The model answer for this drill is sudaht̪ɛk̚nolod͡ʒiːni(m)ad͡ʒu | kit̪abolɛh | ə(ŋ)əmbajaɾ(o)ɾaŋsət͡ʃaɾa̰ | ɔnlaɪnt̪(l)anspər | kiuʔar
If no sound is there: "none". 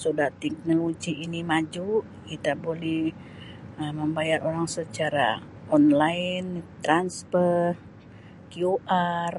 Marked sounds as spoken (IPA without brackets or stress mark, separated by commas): m, m, o, ɾ